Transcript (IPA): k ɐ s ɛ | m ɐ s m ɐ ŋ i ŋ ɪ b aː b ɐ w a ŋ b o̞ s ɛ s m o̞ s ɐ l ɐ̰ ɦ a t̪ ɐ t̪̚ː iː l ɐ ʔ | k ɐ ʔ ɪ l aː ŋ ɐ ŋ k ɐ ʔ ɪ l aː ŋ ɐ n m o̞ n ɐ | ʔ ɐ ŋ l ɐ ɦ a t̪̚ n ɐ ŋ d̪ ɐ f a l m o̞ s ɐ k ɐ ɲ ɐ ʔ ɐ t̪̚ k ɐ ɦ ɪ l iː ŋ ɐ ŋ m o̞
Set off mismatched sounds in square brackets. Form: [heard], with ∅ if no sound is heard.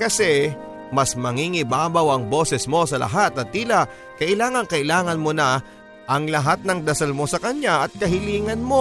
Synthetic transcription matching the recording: k ɐ s ɛ | m ɐ s m ɐ ŋ i ŋ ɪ b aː b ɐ w [ɐ] ŋ b o̞ s ɛ s m o̞ s ɐ l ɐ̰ ɦ a t̪ ɐ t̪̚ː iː l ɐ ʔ | k ɐ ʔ ɪ l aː ŋ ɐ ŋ k ɐ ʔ ɪ l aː ŋ ɐ n m o̞ n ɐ | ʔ ɐ ŋ l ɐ ɦ a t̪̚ n ɐ ŋ d̪ ɐ [s] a l m o̞ s ɐ k ɐ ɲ [a] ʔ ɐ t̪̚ k ɐ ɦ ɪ l iː ŋ ɐ [n] m o̞